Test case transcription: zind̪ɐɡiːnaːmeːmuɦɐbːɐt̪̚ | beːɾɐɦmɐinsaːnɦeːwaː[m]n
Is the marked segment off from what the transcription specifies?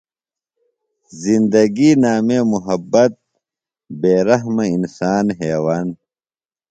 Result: yes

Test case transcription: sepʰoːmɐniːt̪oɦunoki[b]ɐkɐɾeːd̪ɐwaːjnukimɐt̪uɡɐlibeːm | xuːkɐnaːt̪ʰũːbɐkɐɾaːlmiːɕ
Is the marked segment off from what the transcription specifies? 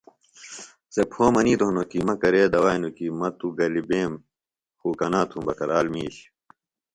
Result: yes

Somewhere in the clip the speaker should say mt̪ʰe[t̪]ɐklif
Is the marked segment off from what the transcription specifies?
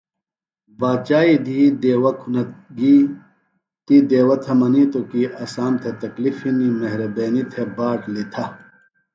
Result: no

